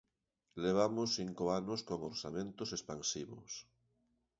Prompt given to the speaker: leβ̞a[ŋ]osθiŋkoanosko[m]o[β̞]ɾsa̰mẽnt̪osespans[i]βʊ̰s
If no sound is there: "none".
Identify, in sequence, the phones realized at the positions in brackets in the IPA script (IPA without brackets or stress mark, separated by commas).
m, ŋ, none, i